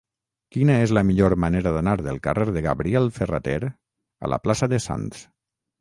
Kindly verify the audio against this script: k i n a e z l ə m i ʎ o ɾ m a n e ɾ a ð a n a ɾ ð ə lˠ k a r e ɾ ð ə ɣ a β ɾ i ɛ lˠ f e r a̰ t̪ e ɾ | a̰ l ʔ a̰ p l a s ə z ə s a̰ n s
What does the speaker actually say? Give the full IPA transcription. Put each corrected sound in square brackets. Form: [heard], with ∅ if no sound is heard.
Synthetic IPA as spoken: k i n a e z l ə m i ʎ o ɾ m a n e ɾ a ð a n a ɾ ð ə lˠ k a r e ɾ ð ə ɣ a β ɾ i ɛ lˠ f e r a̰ t̪ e ɾ | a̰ l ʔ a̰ p l a s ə [ð] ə s a̰ n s